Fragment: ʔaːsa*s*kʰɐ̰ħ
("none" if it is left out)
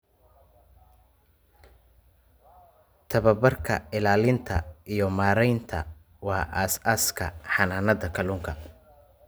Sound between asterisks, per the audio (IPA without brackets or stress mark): s